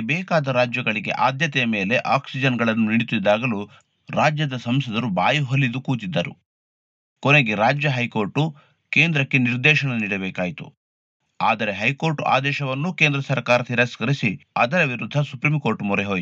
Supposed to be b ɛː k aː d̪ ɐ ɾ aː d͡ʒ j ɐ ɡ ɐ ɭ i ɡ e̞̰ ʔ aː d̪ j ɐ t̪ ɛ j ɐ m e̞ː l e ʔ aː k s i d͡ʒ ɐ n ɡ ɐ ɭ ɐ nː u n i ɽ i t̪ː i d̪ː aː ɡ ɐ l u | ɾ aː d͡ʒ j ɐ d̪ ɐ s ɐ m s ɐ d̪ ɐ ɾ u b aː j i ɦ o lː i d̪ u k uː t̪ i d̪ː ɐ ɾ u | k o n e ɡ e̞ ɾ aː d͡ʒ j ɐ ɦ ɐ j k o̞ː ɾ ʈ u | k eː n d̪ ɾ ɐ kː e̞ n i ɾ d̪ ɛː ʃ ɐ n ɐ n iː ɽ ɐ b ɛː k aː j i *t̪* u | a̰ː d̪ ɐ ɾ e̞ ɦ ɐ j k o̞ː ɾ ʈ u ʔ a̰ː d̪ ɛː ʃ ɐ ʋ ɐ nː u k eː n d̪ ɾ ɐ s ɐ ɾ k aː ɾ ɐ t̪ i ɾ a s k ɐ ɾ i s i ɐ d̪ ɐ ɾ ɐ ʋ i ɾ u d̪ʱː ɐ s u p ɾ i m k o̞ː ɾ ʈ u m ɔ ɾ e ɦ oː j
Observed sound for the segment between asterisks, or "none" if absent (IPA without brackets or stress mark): t̪